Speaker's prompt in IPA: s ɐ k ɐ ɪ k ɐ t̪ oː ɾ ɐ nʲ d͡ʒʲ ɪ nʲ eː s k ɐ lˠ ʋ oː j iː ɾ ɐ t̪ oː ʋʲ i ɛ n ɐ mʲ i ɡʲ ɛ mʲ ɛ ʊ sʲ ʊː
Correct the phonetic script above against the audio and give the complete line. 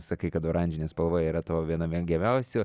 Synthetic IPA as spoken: s ɐ k ɐ ɪ k ɐ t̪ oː ɾ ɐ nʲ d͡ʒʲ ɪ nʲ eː s p ɐ lˠ ʋ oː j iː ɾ ɐ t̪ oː ʋʲ i ɛ n ɐ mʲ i ɡʲ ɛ mʲ ɛ ʊ sʲ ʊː